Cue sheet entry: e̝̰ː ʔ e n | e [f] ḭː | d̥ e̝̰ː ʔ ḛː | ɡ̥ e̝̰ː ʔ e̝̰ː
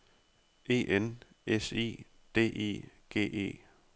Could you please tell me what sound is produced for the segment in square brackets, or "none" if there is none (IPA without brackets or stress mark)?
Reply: s